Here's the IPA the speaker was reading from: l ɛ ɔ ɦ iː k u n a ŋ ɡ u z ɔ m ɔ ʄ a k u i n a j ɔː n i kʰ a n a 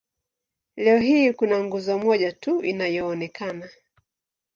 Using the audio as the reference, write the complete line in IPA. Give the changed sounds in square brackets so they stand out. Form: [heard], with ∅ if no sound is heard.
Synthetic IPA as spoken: l ɛ ɔ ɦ iː k u n a ŋ ɡ u z ɔ m ɔ ʄ a [t] u i n a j ɔː n [ɛ] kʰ a n a